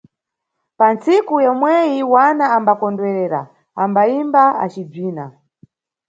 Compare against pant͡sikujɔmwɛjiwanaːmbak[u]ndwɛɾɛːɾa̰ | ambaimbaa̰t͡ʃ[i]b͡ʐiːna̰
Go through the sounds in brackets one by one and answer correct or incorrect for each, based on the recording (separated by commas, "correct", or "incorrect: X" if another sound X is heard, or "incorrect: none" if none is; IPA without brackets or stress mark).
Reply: incorrect: ɔ, correct